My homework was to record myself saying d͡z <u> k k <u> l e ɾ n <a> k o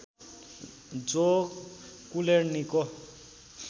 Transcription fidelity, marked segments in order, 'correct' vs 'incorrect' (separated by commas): incorrect, correct, incorrect